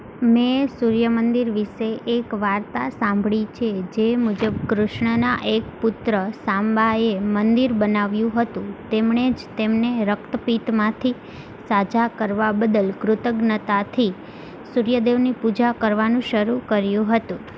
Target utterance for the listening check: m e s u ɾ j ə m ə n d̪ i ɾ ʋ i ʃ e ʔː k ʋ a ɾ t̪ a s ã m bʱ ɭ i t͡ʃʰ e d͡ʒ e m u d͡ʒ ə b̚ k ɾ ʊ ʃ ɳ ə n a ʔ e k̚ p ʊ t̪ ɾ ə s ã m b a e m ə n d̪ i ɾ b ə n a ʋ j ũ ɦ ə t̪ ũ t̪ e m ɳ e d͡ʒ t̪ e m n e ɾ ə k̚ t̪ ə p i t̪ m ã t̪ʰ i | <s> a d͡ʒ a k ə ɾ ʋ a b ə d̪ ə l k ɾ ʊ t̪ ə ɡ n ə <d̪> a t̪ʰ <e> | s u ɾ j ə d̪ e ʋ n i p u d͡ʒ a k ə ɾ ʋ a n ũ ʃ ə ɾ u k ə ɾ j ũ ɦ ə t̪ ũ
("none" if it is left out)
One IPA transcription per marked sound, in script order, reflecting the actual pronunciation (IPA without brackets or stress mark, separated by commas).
s, t̪, i